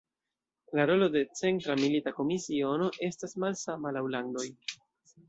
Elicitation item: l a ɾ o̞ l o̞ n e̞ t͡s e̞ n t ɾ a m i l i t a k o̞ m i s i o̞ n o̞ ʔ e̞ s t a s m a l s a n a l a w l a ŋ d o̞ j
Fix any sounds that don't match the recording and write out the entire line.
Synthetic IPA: l a ɾ o̞ l o̞ d e̞ t͡s e̞ n t ɾ a m i l i t a k o̞ m i s i o̞ n o̞ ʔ e̞ s t a s m a l s a m a l a w l a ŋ d o̞ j